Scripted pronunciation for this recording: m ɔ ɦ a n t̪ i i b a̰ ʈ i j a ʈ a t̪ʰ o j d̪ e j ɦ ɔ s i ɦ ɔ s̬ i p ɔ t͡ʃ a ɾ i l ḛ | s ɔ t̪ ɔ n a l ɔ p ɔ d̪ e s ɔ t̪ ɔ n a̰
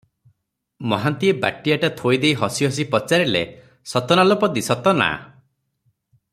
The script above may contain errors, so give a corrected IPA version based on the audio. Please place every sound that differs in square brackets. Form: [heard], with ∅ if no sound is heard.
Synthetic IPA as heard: m ɔ ɦ a n t̪ i [e] b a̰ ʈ i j a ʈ a t̪ʰ o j d̪ e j ɦ ɔ s i ɦ ɔ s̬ i p ɔ t͡ʃ a ɾ i l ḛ | s ɔ t̪ ɔ n a l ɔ p ɔ d̪ [i] s ɔ t̪ ɔ n a̰

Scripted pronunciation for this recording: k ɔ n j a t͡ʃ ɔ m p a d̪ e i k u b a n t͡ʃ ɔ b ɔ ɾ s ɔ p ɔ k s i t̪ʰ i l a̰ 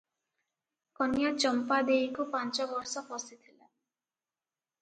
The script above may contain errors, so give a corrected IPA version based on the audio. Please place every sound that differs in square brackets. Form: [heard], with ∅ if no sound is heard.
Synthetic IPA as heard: k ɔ n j a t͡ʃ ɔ m p a d̪ e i k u [p] a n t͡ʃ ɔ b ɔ ɾ s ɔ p ɔ [∅] s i t̪ʰ i l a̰

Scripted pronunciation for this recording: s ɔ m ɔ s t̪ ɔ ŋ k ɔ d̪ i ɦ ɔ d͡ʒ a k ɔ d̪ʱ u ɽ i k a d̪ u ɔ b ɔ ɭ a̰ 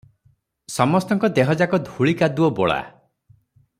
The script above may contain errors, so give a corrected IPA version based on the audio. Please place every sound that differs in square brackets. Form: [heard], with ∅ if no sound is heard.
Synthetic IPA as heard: s ɔ m ɔ s t̪ ɔ ŋ k ɔ d̪ [e] ɦ ɔ d͡ʒ a k ɔ d̪ʱ u [ɭ] i k a d̪ u ɔ b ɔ ɭ a̰

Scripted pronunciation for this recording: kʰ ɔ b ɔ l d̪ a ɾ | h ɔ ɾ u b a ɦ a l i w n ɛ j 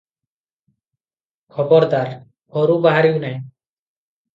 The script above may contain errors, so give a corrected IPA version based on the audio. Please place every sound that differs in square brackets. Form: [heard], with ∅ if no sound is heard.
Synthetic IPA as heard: kʰ ɔ b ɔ [ɾ] d̪ a ɾ | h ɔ ɾ u b a ɦ a [ɾ] i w n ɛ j

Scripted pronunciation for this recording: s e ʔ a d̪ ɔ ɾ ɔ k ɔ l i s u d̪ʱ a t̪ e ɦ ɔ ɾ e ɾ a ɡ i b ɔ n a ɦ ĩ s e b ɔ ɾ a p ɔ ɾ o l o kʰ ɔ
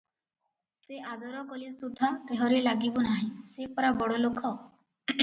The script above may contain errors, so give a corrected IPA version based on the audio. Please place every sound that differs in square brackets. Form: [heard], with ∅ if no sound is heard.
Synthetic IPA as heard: s e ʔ a d̪ ɔ ɾ ɔ k ɔ l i s u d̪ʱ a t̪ e ɦ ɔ ɾ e [l] a ɡ i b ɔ n a ɦ ĩ s e [p] ɔ ɾ a [b] ɔ [ɽ] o l o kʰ ɔ

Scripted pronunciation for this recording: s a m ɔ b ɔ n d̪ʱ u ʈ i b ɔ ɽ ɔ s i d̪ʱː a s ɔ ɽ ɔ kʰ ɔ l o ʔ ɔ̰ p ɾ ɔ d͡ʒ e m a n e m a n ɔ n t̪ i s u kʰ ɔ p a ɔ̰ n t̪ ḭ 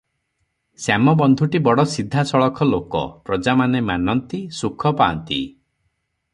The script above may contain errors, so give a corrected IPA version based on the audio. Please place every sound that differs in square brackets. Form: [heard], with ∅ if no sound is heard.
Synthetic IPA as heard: s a m ɔ b ɔ n d̪ʱ u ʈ i b ɔ ɽ ɔ s i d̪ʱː a s ɔ [ɭ] ɔ kʰ ɔ l o [k] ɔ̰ p ɾ ɔ d͡ʒ [a] m a n e m a n ɔ n t̪ i s u kʰ ɔ p a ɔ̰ n t̪ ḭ

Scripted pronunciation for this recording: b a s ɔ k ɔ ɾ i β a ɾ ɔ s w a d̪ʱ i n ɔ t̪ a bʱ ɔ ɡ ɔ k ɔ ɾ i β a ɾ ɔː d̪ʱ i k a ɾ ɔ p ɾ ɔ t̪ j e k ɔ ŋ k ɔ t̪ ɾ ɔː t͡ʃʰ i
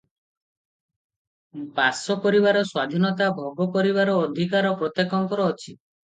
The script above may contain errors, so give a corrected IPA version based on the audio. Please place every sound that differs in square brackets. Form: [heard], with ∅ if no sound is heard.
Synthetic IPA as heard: b a s ɔ k ɔ ɾ i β a ɾ ɔ s w a d̪ʱ i n ɔ t̪ a bʱ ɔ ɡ ɔ k ɔ ɾ i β a ɾ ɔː d̪ʱ i k a ɾ ɔ p ɾ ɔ t̪ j e k ɔ ŋ k ɔ [∅] ɾ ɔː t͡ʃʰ i

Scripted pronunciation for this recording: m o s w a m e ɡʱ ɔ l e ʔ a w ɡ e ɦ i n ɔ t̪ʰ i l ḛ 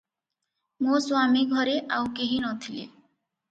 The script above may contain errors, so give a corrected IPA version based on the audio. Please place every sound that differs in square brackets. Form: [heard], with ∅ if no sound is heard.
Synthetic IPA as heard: m o s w a m [i] ɡʱ ɔ [ɾ] e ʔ a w [k] e ɦ i n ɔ t̪ʰ i l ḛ

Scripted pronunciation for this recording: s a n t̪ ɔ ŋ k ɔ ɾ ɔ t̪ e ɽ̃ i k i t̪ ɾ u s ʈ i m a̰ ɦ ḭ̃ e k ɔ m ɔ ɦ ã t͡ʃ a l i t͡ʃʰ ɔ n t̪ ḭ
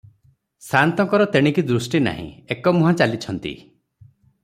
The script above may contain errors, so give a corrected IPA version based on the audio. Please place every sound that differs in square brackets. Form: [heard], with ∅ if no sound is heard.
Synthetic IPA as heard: s a n t̪ ɔ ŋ k ɔ ɾ ɔ t̪ e ɽ̃ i k i [d̪] ɾ u s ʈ i [n] a̰ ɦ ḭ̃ e k ɔ m [u] ɦ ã t͡ʃ a l i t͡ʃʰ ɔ n t̪ ḭ

